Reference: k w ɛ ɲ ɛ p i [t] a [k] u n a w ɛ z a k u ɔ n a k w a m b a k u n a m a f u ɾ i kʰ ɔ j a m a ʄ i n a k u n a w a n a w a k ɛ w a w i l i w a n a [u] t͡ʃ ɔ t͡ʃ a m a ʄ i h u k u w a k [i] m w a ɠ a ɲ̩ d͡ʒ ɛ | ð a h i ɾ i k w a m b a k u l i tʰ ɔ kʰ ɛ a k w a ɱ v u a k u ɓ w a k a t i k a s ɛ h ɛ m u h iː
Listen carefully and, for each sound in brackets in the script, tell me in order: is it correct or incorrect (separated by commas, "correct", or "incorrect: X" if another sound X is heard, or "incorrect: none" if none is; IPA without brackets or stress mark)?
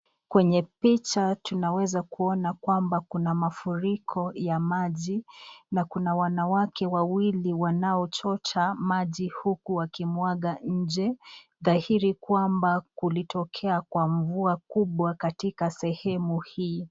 incorrect: t͡ʃ, incorrect: t, incorrect: ɔ, correct